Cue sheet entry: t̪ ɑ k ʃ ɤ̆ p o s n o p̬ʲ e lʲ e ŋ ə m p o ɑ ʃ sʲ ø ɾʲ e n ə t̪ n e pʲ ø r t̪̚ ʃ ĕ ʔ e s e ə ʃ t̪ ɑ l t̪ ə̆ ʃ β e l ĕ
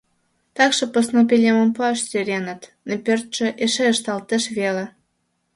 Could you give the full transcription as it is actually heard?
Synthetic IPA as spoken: t̪ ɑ k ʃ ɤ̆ p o s n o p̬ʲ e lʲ e m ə m p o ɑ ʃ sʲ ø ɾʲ e n ə t̪ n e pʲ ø r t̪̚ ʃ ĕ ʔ e ʃ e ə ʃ t̪ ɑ l t̪ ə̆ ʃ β e l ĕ